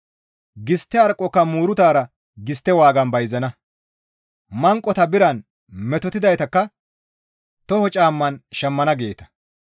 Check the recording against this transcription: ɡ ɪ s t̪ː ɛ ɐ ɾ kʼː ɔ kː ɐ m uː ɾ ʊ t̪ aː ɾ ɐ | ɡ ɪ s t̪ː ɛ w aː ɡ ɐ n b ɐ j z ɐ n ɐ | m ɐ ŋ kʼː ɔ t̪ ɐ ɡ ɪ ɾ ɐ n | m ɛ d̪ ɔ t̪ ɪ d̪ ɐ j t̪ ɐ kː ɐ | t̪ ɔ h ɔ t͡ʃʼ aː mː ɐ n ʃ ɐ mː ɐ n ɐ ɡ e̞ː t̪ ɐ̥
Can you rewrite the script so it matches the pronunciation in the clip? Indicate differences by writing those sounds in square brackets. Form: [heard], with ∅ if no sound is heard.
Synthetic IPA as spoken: ɡ ɪ s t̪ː ɛ ɐ ɾ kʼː ɔ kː ɐ m uː ɾ ʊ t̪ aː ɾ ɐ | ɡ ɪ s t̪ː ɛ w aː ɡ ɐ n b ɐ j z ɐ n ɐ | m ɐ ŋ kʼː ɔ t̪ ɐ [b] ɪ ɾ ɐ n | m ɛ [t̪] ɔ t̪ ɪ d̪ ɐ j t̪ ɐ kː ɐ | t̪ ɔ h ɔ t͡ʃʼ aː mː ɐ n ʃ ɐ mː ɐ n ɐ ɡ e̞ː t̪ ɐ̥

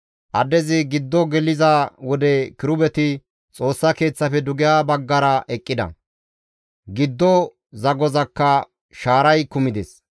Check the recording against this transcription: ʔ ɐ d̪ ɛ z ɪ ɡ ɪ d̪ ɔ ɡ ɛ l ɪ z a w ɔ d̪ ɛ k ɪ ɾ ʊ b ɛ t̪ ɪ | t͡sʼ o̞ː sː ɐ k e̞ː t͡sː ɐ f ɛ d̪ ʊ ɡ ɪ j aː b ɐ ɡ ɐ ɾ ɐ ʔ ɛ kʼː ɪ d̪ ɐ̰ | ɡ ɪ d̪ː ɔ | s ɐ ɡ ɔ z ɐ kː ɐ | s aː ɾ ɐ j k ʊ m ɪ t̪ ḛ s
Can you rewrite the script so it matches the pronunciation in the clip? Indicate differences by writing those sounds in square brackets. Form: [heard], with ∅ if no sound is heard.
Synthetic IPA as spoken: ʔ ɐ d̪ ɛ z ɪ ɡ ɪ [d̪ː] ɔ ɡ ɛ l ɪ z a w ɔ d̪ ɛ k ɪ ɾ ʊ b ɛ t̪ ɪ | t͡sʼ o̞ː sː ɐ k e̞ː t͡sː ɐ f ɛ d̪ ʊ ɡ ɪ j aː b ɐ [ɡː] ɐ ɾ ɐ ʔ ɛ kʼː ɪ d̪ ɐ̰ | ɡ ɪ d̪ː ɔ | [z] ɐ ɡ ɔ z ɐ kː ɐ | [ʃ] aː ɾ ɐ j k ʊ m ɪ [d̪] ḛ s

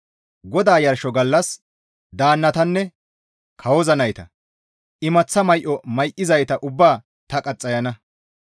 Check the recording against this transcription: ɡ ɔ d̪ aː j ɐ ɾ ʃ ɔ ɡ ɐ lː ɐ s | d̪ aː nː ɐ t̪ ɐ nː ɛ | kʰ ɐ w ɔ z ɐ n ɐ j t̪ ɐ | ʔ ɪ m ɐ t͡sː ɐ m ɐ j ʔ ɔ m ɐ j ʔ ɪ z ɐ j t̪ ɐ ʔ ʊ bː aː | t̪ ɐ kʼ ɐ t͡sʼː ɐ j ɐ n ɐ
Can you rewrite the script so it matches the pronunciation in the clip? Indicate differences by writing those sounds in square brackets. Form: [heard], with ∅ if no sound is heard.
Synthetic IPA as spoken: ɡ ɔ d̪ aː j ɐ ɾ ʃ ɔ ɡ ɐ lː ɐ s | d̪ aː nː ɐ t̪ ɐ nː ɛ | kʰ ɐ w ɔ z ɐ n ɐ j t̪ ɐ | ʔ ɪ m ɐ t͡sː ɐ m ɐ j ʔ ɔ m ɐ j ʔ ɪ z ɐ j t̪ ɐ ʔ ʊ bː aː | t̪ ɐ kʼ ɐ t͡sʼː ɐ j ɐ n ɐ

